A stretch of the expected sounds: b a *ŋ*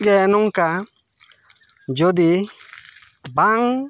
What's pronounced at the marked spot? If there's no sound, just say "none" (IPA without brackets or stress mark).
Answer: ŋ